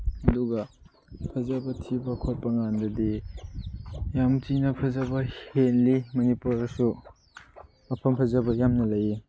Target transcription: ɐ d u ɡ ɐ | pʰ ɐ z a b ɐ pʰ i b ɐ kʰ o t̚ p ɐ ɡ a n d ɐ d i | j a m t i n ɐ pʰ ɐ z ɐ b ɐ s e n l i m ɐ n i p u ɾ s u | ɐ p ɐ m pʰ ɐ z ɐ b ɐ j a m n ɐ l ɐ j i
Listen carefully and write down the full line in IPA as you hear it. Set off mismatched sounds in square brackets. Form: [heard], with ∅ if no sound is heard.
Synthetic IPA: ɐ d u ɡ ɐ | pʰ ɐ z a b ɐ [tʰ] i b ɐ kʰ o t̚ p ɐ [ŋ] a n d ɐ d i | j a m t i n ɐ pʰ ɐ z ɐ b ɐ [h] e n l i m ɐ n i p u ɾ s u | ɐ [pʰ] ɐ m pʰ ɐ z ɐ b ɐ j a m n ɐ l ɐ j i